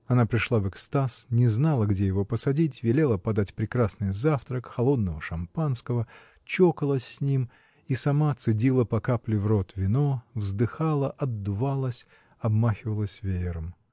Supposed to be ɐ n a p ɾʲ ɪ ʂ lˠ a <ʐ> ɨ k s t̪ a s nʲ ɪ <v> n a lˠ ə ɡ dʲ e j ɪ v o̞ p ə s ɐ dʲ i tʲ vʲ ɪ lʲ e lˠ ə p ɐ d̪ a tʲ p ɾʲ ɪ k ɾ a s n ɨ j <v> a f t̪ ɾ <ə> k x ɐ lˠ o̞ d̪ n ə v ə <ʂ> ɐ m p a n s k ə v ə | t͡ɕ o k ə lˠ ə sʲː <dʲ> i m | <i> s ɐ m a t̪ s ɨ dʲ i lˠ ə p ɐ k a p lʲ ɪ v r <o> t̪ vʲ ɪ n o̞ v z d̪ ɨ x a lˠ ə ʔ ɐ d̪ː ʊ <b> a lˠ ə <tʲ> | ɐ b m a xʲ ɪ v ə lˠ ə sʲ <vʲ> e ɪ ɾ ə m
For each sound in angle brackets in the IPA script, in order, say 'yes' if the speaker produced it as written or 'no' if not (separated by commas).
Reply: no, no, no, yes, yes, no, yes, yes, no, no, yes